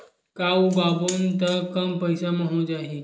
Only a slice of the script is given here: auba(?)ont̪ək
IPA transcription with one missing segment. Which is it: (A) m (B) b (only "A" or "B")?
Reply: B